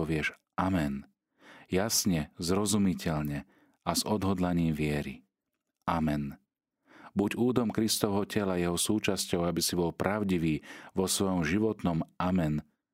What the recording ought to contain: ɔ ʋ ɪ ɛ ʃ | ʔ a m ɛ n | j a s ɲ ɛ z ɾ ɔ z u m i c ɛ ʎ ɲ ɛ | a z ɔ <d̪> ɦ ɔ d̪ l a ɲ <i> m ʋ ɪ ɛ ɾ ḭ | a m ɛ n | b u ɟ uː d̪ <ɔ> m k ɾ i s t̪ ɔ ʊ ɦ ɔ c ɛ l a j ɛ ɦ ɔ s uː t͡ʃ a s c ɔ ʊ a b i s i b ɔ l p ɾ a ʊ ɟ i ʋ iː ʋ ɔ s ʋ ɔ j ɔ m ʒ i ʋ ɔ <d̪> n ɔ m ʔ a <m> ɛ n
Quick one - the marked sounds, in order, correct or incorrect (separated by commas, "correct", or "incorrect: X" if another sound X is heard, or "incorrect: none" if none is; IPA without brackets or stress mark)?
correct, incorrect: iː, correct, incorrect: t̪, correct